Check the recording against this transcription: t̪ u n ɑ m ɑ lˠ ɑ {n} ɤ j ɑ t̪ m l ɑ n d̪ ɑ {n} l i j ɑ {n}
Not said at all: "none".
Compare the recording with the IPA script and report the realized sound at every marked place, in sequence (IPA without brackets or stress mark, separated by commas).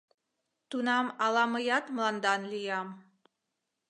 m, n, m